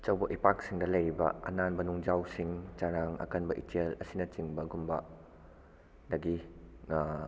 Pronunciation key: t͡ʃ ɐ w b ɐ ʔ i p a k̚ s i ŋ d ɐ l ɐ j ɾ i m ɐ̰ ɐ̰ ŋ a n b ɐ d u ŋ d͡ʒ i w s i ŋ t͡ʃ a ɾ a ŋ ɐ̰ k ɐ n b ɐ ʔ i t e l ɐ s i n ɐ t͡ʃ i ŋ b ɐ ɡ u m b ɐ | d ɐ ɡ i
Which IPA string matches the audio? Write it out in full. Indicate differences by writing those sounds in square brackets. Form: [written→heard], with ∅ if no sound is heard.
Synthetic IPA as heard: t͡ʃ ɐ w b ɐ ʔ i p a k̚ s i ŋ d ɐ l ɐ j ɾ i [m→b] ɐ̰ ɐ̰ [ŋ→n] a n b ɐ [d→n] u ŋ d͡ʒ [i→a] w s i ŋ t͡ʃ a ɾ a ŋ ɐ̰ k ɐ n b ɐ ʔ i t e l ɐ s i n ɐ t͡ʃ i ŋ b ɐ ɡ u m b ɐ | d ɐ ɡ i